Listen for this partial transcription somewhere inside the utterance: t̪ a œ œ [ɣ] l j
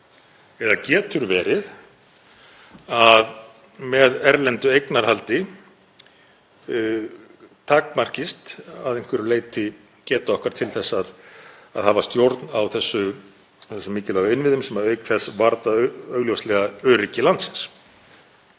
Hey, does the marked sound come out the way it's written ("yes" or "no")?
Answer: yes